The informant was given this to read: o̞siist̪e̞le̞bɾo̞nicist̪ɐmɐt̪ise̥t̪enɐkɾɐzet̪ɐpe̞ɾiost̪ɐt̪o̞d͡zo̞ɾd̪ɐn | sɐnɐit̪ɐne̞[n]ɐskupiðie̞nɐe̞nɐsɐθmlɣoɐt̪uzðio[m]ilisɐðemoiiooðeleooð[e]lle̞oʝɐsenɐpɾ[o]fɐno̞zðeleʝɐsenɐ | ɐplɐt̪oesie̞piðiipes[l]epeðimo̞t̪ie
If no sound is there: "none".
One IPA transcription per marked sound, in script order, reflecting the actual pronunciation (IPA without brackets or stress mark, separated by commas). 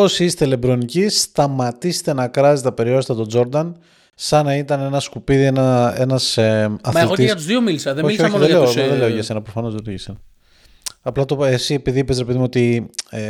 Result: n, m, e, o, ɾ